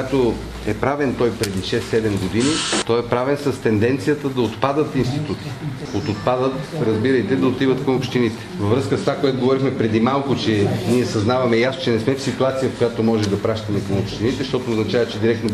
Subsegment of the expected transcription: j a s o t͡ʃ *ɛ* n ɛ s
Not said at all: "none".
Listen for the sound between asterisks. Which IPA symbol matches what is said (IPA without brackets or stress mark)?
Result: ɛ